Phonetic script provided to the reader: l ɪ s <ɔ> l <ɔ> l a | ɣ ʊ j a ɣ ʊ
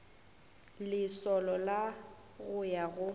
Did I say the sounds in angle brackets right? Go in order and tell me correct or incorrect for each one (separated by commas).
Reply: correct, correct